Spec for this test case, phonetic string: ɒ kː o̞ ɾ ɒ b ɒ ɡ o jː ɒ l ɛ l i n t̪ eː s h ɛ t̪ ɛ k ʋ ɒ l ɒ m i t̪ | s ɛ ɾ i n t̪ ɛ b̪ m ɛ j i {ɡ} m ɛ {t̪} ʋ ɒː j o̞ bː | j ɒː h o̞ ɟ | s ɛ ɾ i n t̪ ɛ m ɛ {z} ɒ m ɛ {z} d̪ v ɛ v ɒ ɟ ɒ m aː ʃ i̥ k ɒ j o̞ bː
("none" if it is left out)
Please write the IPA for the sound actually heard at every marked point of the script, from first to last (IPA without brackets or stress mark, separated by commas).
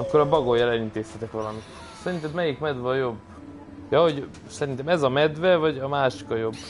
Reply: k, d̪, z, none